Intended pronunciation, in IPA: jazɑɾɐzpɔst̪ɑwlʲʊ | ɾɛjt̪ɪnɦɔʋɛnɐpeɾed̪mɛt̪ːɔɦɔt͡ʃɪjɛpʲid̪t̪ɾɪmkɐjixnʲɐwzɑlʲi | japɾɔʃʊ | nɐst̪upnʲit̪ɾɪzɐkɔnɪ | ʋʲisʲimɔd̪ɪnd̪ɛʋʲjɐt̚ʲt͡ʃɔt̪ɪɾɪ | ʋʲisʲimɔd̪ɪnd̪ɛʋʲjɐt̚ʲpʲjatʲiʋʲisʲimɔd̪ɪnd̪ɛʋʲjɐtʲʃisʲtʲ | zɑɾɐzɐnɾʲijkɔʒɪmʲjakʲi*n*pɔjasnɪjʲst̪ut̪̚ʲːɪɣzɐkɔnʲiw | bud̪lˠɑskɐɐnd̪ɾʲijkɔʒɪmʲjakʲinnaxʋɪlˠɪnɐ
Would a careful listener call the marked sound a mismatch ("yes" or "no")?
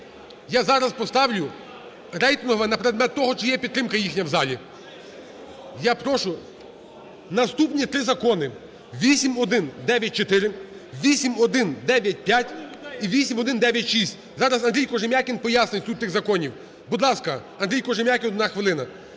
no